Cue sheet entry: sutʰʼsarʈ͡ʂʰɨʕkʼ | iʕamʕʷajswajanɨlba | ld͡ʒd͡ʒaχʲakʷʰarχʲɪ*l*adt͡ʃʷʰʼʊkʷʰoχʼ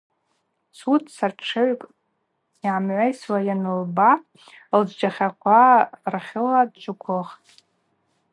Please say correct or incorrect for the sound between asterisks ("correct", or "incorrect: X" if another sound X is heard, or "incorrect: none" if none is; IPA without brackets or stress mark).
correct